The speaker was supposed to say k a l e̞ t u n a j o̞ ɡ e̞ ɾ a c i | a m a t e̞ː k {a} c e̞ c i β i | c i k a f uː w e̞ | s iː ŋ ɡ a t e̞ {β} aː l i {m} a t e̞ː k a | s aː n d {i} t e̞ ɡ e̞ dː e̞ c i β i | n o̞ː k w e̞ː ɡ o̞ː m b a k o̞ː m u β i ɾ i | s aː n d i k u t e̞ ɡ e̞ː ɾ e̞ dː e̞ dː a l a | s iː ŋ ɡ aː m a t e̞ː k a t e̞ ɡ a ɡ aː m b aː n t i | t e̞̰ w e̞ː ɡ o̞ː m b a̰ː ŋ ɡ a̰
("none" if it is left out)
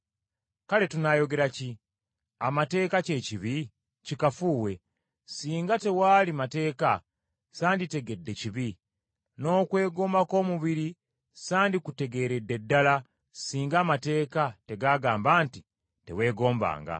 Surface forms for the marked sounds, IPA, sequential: a, w, m, i

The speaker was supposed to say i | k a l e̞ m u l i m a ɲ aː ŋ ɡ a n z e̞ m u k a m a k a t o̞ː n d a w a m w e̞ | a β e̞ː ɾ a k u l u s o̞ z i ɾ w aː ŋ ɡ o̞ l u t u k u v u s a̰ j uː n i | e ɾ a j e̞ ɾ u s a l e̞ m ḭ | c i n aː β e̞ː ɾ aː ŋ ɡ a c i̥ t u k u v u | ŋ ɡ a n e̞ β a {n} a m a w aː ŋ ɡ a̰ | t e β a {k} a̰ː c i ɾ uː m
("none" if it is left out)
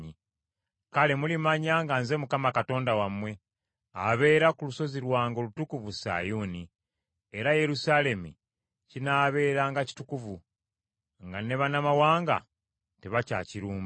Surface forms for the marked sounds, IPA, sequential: n, c

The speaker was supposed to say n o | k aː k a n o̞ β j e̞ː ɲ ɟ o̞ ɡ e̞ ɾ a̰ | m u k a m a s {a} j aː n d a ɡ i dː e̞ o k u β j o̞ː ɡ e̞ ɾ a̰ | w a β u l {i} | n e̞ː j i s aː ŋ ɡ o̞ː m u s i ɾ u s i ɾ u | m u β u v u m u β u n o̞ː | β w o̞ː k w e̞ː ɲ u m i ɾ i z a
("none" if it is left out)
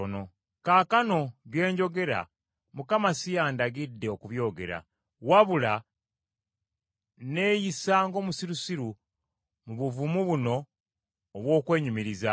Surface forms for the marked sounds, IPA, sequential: i, a

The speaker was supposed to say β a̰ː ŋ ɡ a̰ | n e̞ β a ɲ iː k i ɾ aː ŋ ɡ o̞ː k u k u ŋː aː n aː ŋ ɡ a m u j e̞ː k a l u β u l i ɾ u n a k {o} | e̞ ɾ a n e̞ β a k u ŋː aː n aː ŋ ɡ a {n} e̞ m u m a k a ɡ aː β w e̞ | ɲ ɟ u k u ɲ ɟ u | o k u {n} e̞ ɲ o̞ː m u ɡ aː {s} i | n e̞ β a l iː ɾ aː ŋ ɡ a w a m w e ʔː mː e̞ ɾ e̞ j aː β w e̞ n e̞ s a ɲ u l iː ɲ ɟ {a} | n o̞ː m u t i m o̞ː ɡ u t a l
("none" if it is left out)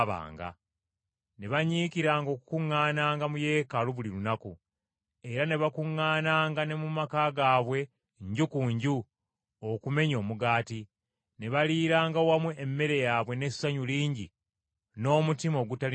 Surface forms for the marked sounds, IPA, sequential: u, n, m, t, i

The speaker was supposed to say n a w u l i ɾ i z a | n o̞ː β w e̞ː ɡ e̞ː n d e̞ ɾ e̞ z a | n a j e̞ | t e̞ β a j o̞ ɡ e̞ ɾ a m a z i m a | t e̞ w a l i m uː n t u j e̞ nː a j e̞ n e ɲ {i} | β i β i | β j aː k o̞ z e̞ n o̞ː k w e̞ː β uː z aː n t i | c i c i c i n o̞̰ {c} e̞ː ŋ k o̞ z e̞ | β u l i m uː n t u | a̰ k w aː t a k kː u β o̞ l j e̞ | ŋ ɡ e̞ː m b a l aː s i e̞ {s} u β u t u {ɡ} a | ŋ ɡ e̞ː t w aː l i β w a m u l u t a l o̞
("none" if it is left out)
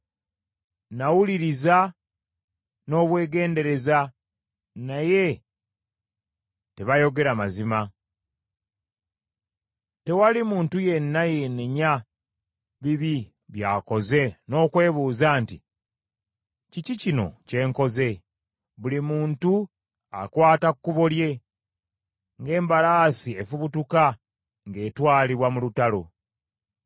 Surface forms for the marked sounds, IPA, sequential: a, c, f, k

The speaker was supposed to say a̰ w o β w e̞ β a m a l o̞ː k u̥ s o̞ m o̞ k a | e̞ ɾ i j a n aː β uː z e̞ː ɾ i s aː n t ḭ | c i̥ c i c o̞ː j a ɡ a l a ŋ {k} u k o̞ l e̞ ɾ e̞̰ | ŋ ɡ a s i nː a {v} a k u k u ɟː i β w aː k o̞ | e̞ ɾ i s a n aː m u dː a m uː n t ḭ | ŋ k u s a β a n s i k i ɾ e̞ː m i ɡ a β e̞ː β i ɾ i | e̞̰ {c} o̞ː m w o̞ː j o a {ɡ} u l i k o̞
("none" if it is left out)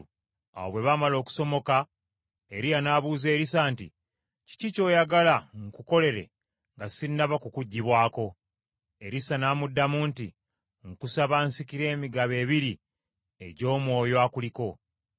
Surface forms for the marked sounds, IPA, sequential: k, β, ɟ, k

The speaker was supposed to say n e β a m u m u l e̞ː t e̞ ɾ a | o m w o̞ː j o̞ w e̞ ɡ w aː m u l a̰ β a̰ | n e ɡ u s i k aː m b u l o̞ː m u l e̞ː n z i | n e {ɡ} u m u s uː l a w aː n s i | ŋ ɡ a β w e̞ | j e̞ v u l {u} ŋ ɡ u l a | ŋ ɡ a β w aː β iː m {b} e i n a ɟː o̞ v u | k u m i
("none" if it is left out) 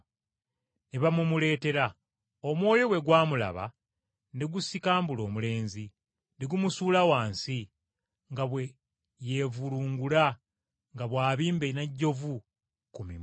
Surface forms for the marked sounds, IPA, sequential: ɡ, uː, b

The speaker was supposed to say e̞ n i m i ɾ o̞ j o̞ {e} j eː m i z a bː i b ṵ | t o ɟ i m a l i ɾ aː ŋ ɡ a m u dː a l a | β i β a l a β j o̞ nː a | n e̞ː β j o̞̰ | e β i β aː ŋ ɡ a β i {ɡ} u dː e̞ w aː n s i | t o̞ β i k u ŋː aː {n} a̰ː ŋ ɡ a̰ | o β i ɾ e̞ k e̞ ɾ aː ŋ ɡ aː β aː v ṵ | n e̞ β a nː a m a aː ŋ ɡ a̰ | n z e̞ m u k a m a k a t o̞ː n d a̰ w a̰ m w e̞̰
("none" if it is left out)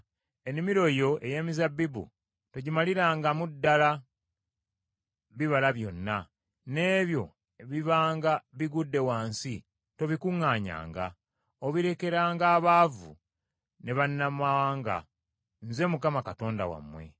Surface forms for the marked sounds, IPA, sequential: e, ɡ, ɲ

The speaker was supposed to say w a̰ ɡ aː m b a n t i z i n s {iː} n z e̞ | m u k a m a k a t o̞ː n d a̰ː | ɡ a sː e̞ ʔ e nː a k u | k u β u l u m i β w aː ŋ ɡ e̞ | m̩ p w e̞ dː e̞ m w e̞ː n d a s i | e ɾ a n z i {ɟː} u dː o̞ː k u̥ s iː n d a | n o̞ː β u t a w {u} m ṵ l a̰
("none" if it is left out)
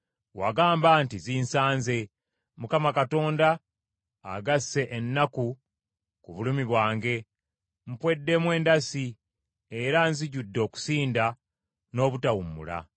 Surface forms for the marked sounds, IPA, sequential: aː, ɟ, u

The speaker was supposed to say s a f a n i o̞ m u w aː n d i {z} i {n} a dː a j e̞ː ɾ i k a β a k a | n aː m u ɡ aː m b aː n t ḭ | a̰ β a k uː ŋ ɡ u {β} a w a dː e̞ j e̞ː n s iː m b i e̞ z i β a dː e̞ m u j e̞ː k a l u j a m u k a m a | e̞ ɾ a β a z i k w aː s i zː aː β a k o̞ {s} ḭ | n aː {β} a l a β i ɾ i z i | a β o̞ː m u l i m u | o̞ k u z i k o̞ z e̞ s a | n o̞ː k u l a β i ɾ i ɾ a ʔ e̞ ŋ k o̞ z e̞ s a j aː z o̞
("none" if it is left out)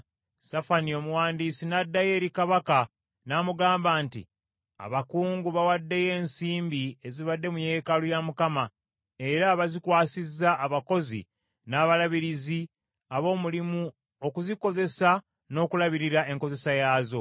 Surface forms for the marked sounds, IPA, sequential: s, n, β, z, β

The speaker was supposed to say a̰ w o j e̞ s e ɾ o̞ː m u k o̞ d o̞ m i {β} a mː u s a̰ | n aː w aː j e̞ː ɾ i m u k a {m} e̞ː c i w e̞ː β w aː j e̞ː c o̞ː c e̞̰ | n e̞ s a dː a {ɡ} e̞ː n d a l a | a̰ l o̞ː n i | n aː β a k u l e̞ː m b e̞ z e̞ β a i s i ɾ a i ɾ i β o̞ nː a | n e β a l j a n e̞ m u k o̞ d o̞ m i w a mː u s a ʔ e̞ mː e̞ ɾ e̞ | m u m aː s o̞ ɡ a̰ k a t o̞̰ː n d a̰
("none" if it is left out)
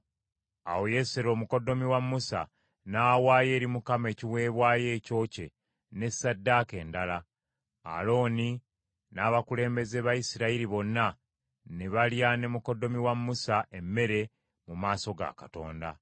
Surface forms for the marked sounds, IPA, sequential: w, m, k

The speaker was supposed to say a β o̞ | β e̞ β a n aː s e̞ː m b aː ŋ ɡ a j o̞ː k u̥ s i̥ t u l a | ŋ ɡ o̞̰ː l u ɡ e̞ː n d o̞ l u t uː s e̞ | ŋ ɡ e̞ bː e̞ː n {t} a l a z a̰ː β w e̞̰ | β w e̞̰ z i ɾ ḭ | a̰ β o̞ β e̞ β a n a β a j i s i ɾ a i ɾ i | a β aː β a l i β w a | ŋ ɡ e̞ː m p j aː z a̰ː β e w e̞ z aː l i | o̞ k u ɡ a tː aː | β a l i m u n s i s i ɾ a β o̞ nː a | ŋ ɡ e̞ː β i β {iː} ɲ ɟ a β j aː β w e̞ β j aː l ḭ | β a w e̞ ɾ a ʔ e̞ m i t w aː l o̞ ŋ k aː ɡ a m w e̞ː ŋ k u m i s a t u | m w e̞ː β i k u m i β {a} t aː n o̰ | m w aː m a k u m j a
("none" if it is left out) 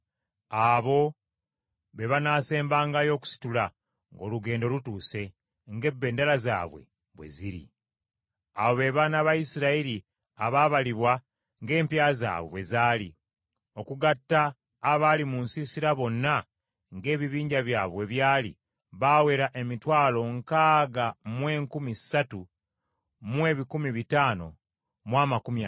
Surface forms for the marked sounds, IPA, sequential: d, iː, i

